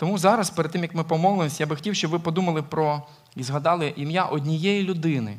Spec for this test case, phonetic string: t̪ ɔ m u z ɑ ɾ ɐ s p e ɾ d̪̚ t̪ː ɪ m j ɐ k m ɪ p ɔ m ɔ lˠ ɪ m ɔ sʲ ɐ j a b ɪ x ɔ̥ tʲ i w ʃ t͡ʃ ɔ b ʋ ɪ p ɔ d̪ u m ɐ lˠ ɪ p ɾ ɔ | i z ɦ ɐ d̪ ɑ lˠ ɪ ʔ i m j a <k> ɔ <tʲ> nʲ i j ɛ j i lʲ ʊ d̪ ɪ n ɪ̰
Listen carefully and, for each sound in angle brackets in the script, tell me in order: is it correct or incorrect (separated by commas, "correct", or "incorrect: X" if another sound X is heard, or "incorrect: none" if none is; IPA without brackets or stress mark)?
incorrect: ʔ, incorrect: dʲ